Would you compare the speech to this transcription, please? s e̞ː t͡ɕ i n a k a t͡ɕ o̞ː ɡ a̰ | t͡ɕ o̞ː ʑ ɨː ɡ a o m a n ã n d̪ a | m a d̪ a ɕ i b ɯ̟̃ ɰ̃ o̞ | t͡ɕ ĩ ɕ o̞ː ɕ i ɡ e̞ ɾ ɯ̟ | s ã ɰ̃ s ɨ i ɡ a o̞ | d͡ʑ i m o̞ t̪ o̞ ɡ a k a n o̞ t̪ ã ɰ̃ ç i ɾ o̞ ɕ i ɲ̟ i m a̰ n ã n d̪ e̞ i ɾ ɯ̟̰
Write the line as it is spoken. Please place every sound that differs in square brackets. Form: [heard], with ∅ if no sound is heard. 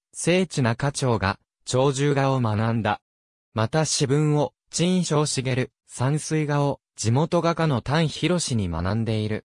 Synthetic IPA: s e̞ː t͡ɕ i n a k a t͡ɕ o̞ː ɡ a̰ | t͡ɕ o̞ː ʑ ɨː ɡ a o m a n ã n d̪ a | m a [t̪] a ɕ i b ɯ̟̃ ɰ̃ o̞ | t͡ɕ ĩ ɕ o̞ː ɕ i ɡ e̞ ɾ ɯ̟ | s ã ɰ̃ s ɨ i ɡ a o̞ | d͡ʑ i m o̞ t̪ o̞ ɡ a k a n o̞ t̪ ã ɰ̃ ç i ɾ o̞ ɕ i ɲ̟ i m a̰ n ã n d̪ e̞ i ɾ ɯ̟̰